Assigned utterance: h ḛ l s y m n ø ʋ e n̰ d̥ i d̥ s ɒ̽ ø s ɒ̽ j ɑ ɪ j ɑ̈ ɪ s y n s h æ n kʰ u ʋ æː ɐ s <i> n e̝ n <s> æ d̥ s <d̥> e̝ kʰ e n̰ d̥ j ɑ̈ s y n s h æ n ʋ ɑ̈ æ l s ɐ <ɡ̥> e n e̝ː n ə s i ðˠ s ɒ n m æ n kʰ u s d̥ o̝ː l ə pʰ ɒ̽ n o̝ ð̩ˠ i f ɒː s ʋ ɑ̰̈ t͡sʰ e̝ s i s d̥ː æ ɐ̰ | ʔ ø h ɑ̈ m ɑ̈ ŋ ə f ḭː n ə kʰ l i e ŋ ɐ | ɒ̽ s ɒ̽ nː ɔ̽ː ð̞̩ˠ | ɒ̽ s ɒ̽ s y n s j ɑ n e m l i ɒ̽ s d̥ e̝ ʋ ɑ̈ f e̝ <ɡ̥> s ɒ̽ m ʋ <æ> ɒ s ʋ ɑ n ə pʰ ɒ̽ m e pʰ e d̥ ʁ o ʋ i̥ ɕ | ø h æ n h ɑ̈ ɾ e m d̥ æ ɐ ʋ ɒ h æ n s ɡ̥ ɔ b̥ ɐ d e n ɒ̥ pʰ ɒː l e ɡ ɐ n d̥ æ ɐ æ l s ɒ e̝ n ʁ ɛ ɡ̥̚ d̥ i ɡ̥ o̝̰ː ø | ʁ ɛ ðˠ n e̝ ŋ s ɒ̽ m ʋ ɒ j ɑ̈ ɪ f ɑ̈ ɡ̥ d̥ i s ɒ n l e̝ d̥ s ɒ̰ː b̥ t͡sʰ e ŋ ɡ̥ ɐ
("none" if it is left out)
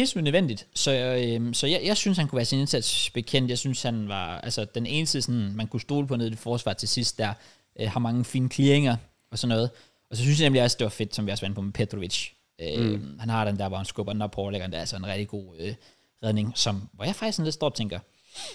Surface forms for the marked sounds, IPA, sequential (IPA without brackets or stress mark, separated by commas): i, s, b̥, d̥, d̥, i